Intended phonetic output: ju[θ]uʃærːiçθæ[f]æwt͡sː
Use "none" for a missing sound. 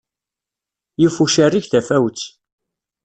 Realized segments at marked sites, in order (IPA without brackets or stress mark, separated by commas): f, f